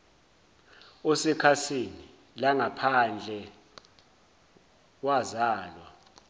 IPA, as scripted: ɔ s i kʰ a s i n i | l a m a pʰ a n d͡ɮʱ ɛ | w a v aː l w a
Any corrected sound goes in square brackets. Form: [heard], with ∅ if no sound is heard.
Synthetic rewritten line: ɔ s [ɛ] kʰ a s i n i | l a [ŋ] a pʰ a n d͡ɮʱ ɛ | w a [z] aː l w a